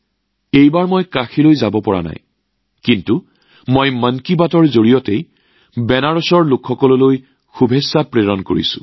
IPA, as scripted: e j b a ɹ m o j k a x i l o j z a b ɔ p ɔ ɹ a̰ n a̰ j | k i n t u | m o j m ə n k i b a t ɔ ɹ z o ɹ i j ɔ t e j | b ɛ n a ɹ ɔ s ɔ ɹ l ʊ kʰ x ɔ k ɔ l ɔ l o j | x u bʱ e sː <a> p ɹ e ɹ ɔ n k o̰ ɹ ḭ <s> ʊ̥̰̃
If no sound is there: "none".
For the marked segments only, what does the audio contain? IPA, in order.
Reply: a, s

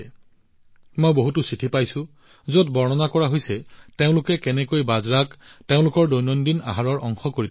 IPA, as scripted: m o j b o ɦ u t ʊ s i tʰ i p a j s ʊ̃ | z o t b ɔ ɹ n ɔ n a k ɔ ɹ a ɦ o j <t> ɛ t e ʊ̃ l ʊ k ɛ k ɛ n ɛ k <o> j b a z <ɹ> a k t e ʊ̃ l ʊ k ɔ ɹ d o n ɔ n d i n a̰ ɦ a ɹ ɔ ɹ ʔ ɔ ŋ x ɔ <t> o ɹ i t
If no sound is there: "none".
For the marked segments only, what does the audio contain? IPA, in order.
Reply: s, o, ɹ, k

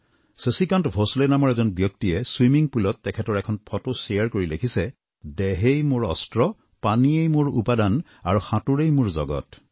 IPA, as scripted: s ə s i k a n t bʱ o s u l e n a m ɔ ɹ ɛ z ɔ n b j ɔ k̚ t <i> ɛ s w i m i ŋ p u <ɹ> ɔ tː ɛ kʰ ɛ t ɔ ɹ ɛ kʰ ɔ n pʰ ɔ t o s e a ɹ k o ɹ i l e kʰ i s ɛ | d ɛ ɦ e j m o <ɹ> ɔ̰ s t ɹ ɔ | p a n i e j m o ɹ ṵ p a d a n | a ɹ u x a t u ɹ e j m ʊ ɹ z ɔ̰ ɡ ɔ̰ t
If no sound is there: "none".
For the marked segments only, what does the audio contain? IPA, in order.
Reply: i, l, ɹ

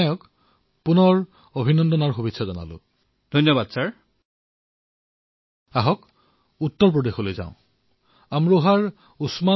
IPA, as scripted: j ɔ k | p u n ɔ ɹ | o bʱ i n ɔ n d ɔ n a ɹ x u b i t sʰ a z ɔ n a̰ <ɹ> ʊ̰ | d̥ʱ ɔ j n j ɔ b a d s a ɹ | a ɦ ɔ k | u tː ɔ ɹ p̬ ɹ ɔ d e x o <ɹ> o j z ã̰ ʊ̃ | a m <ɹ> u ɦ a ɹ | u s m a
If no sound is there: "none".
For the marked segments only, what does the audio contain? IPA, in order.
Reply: l, l, ɹ

